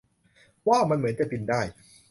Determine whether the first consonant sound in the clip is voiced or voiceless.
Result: voiced